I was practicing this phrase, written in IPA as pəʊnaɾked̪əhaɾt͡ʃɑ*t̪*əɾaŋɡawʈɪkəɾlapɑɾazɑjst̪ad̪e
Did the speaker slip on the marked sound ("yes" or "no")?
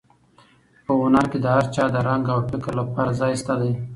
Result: yes